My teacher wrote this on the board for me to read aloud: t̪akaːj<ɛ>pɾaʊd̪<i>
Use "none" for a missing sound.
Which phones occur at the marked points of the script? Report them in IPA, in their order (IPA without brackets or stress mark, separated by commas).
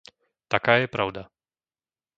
ɛ, a